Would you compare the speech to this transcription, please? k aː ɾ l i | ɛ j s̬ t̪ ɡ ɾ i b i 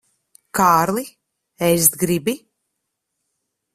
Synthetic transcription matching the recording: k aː ɾ l i | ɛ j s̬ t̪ ɡ ɾ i b i